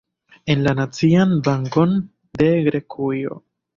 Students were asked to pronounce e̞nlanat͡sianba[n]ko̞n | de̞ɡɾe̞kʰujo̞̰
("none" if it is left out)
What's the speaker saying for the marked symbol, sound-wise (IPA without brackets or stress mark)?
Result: ŋ